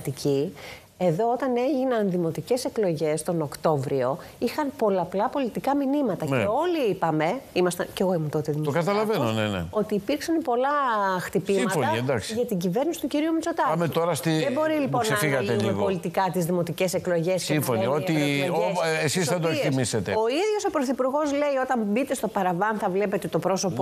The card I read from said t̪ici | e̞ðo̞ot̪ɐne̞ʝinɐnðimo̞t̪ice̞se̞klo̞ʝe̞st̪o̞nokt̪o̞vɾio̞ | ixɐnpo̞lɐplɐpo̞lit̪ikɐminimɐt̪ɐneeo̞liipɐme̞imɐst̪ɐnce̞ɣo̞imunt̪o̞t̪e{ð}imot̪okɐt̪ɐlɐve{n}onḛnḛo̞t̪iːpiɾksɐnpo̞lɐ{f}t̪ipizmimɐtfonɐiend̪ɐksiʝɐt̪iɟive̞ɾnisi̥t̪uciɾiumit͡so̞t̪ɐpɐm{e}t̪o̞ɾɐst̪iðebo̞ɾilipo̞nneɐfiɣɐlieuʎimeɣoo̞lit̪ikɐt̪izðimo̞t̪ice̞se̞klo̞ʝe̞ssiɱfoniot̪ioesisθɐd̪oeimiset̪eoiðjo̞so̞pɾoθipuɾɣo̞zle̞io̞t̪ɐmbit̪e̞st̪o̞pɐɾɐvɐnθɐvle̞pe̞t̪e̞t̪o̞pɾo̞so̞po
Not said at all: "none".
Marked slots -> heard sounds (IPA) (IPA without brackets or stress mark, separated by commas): ð, n, x, e